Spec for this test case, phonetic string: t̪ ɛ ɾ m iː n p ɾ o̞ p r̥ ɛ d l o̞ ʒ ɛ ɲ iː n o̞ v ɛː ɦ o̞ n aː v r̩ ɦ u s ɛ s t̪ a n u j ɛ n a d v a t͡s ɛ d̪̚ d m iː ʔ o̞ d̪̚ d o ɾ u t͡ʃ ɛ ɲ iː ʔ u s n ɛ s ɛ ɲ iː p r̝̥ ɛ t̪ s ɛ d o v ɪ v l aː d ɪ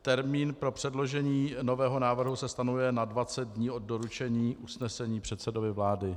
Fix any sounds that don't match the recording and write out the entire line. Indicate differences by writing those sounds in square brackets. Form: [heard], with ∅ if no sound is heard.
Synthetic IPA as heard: t̪ ɛ ɾ m iː n p ɾ o̞ p r̥ ɛ d l o̞ ʒ ɛ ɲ iː n o̞ v ɛː ɦ o̞ n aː v r̩ ɦ u s ɛ s t̪ a n u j ɛ n a d v a t͡s ɛ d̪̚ d [ɲ] iː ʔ o̞ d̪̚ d o ɾ u t͡ʃ ɛ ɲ iː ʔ u s n ɛ s ɛ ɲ iː p r̝̥ ɛ t̪ s ɛ d o v ɪ v l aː d ɪ